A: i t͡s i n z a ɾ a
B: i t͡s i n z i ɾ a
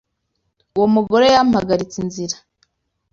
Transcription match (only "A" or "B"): B